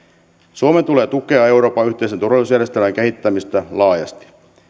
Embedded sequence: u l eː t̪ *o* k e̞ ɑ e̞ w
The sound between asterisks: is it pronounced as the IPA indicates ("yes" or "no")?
no